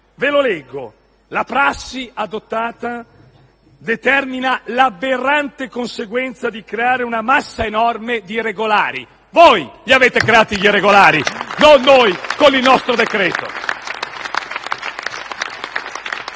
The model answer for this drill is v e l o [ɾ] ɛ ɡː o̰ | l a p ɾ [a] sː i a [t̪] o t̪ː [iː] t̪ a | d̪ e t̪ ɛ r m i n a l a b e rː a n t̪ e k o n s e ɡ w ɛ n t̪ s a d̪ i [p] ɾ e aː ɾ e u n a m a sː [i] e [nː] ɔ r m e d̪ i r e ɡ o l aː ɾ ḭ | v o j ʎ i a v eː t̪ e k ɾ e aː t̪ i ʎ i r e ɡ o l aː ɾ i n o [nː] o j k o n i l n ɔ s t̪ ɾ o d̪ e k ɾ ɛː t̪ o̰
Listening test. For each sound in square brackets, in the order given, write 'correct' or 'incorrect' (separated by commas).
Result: incorrect, correct, incorrect, incorrect, incorrect, incorrect, incorrect, correct